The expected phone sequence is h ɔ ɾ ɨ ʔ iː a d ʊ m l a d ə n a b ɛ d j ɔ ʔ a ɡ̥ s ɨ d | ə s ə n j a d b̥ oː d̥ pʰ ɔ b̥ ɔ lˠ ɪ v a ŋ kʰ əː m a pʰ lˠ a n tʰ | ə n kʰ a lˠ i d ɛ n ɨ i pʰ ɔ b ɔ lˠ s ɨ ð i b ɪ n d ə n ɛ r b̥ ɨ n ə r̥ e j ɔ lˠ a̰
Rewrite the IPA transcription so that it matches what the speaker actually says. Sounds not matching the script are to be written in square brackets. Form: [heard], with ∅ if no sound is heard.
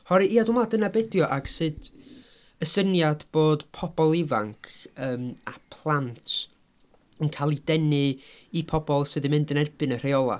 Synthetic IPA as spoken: h ɔ ɾ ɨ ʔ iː a d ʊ m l a d ə n a b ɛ d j ɔ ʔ a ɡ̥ s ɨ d | ə s ə n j a d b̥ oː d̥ pʰ ɔ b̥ ɔ lˠ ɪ v a ŋ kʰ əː m a pʰ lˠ a n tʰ | ə n kʰ a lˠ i d ɛ n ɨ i pʰ ɔ b ɔ lˠ s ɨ ð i [m] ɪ n d ə n ɛ r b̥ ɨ n ə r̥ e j ɔ lˠ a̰